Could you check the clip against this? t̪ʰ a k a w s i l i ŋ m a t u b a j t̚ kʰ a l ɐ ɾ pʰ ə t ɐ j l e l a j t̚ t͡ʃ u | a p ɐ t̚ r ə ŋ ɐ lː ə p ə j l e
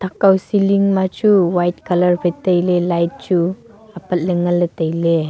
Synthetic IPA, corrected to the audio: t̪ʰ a k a w s i l i ŋ m a t͡ʃ u w a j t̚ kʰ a l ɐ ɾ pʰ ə t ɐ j l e l a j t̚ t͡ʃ u | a p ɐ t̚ l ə ŋ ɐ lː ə t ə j l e